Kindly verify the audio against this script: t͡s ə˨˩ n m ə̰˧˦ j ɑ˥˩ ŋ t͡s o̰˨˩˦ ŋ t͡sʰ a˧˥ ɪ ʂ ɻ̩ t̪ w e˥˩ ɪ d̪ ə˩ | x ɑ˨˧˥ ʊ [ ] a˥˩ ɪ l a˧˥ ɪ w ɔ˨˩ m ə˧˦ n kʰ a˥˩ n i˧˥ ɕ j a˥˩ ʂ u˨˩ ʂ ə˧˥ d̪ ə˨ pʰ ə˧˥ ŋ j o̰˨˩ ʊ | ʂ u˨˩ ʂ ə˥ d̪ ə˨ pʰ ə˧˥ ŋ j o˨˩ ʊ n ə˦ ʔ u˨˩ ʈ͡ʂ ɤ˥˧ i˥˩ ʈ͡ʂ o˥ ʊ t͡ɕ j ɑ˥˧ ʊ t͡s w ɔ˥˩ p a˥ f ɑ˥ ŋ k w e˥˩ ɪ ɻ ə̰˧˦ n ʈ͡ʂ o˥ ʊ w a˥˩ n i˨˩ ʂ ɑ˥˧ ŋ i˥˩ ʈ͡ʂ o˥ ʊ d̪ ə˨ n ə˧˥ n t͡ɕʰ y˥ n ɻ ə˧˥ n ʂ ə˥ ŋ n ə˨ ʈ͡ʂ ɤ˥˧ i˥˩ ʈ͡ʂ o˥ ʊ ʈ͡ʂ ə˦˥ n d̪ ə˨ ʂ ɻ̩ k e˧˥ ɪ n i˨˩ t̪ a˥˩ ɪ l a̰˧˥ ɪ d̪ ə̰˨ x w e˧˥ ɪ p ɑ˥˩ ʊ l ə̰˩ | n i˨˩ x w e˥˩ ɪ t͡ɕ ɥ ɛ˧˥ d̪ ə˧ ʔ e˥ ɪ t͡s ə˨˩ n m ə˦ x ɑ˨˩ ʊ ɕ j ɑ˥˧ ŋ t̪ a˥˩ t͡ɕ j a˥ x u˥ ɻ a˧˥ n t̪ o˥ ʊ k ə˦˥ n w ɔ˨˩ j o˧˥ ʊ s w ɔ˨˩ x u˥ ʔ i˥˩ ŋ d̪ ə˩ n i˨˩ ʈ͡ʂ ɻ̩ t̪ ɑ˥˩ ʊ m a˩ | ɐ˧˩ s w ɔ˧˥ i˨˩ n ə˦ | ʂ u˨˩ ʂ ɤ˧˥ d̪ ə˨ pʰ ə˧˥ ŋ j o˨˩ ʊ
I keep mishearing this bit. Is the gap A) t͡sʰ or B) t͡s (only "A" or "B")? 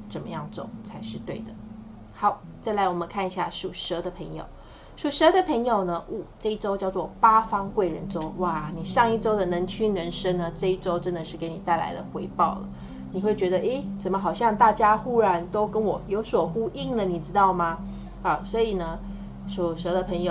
B